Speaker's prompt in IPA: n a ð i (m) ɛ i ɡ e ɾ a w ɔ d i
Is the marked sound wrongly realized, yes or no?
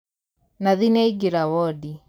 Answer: yes